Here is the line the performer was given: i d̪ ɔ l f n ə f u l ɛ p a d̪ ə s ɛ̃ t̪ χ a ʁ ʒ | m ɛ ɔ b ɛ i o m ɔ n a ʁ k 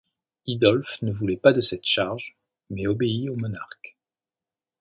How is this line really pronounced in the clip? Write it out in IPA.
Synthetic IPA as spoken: i d̪ ɔ l f n ə v u l ɛ p a d̪ ə s ɛ t̪ ʃ a ʁ ʒ | m ɛ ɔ b e i o m ɔ n a ʁ k